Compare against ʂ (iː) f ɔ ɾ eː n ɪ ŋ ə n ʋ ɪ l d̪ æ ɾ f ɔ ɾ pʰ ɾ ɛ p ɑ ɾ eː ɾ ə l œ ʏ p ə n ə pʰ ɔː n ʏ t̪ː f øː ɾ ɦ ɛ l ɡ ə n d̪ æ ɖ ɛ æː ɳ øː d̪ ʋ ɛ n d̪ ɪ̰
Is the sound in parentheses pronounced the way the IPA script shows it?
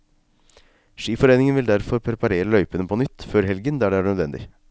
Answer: yes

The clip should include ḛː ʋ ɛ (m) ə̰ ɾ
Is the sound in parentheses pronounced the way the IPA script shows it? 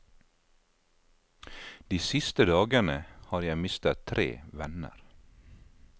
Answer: no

